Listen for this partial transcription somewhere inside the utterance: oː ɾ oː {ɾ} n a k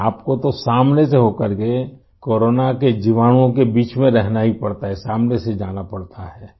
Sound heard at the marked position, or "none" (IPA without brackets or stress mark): none